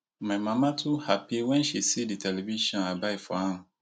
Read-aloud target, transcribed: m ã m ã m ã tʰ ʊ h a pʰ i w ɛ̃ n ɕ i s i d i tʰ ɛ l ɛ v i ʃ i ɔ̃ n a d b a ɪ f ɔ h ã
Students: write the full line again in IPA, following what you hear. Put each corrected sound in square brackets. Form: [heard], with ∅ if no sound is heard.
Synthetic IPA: m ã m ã m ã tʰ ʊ h a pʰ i w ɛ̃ n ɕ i s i d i tʰ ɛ l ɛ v i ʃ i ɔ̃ n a [∅] b a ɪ f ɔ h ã